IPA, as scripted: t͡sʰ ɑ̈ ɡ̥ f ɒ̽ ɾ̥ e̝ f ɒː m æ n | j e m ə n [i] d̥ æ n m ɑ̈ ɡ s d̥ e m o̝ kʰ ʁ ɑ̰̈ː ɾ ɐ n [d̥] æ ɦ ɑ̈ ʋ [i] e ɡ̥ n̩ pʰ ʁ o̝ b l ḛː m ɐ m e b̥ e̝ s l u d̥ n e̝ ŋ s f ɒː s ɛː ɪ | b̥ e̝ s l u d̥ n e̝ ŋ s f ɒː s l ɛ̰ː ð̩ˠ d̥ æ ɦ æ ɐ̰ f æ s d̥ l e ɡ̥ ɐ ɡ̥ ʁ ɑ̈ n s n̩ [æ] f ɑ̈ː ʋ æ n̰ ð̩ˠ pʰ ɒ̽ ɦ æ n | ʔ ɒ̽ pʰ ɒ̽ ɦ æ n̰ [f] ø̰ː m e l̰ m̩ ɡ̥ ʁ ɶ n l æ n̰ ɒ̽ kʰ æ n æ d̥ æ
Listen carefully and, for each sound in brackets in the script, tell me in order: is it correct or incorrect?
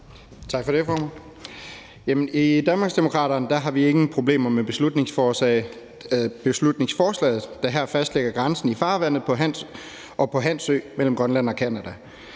correct, correct, correct, incorrect: i, incorrect: s

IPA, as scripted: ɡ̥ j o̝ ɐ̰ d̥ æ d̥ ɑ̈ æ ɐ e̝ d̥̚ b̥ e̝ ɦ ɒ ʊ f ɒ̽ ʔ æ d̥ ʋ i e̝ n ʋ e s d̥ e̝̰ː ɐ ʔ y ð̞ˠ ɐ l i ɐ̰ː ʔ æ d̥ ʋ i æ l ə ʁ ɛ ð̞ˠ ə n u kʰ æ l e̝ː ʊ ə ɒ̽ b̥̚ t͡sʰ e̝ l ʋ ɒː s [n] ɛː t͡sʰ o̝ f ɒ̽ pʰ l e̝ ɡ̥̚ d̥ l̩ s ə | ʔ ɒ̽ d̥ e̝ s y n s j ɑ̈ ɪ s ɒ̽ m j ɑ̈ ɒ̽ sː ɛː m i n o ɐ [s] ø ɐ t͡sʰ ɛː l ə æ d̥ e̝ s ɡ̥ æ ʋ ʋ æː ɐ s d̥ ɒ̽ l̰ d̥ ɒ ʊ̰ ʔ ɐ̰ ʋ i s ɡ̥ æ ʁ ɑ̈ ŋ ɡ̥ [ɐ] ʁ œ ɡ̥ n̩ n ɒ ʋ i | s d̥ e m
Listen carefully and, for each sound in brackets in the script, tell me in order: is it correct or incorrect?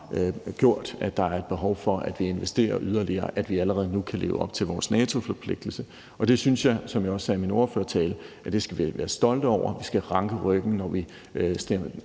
correct, incorrect: f, incorrect: ə

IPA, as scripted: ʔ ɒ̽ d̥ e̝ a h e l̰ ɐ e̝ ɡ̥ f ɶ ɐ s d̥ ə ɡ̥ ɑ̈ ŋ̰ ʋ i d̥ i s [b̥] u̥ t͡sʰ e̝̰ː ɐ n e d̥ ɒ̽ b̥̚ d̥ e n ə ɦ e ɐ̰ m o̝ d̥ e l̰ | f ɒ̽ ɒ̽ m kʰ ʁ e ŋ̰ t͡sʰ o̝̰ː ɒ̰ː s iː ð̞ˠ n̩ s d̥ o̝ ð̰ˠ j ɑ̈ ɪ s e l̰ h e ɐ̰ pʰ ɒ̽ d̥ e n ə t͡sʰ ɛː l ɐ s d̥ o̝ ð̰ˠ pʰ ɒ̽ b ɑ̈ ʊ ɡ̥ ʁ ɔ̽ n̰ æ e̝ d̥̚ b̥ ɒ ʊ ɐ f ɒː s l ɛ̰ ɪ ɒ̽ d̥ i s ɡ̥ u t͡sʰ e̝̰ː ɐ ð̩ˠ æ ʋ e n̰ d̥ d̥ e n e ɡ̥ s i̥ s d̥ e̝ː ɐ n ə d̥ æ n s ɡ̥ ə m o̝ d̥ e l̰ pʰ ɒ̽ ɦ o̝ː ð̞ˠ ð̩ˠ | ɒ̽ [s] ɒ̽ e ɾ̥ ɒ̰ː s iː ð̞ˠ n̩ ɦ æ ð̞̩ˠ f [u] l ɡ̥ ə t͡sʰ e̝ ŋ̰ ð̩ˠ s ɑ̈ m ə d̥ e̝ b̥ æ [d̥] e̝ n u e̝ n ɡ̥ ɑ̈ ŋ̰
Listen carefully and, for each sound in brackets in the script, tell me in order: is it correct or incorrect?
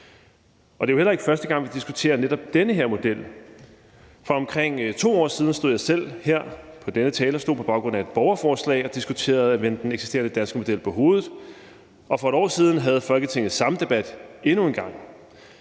incorrect: ɡ̥, incorrect: f, incorrect: ɒ, correct

